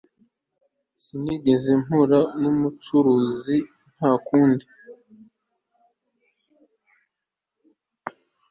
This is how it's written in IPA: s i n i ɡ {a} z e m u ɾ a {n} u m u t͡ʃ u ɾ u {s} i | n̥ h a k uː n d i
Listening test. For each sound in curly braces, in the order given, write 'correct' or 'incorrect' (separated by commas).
incorrect, correct, incorrect